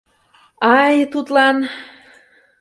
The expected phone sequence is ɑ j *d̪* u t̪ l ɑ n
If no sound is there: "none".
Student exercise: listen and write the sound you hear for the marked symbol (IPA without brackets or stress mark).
t̪